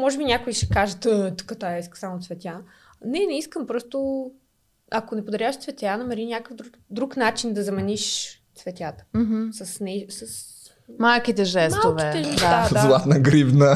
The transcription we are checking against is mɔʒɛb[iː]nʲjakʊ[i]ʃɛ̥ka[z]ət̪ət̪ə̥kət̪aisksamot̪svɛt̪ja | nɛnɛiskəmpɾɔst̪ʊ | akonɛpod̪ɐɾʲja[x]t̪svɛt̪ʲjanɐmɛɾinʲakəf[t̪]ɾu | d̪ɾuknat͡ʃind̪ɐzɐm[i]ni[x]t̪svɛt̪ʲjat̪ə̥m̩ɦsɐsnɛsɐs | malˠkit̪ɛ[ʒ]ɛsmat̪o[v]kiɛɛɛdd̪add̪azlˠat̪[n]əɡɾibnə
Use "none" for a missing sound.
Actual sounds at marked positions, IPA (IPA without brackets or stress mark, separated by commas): i, i, ʒ, ʃ, d̪, ɛ, ʃ, ʒ, v, n